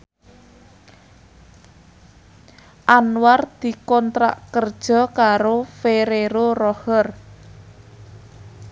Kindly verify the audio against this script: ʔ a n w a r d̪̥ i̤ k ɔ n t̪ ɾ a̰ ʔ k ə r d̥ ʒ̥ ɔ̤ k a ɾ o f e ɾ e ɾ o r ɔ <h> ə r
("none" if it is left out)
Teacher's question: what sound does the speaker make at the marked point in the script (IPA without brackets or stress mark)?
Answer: h